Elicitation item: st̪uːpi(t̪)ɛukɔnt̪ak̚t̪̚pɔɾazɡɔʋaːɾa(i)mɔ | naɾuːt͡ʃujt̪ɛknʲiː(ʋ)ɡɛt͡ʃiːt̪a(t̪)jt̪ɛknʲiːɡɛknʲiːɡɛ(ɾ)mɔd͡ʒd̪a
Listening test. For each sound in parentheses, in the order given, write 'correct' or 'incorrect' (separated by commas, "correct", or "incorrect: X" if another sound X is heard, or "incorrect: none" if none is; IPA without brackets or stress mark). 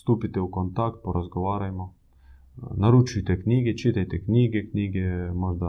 correct, incorrect: j, incorrect: none, incorrect: none, incorrect: none